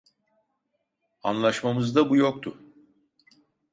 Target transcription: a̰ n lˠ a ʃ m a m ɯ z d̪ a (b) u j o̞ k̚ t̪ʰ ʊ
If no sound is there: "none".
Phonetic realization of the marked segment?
b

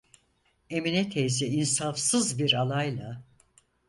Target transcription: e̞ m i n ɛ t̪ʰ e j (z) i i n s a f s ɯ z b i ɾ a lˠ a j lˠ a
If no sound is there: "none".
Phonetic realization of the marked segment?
z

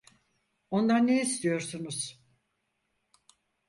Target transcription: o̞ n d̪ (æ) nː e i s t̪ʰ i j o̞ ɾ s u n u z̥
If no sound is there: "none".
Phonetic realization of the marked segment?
a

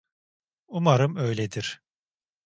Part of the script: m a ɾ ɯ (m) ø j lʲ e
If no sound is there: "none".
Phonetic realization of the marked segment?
m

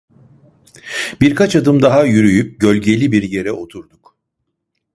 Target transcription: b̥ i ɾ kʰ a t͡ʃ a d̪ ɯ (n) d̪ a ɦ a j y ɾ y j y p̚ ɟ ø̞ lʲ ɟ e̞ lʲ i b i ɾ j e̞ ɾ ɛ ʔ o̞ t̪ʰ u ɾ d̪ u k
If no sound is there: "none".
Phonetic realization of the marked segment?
m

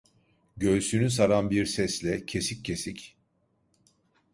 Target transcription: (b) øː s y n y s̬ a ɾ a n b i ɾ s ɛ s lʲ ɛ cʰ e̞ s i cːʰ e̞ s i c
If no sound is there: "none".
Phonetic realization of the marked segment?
ɟ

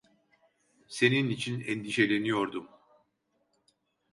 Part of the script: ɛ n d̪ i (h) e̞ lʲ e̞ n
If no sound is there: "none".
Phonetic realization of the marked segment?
ʃ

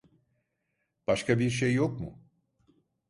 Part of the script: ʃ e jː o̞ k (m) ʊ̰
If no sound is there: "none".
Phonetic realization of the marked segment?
m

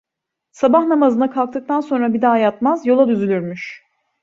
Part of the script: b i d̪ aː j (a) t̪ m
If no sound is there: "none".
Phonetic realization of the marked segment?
a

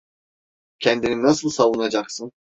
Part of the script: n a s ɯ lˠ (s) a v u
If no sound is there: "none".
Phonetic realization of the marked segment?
s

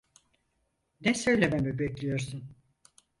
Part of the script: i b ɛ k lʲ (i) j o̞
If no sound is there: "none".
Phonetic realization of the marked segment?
i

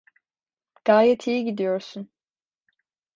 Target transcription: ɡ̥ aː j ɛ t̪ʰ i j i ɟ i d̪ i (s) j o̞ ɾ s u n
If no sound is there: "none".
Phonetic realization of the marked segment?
none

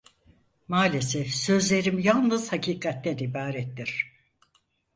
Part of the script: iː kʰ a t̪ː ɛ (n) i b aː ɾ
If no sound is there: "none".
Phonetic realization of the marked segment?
n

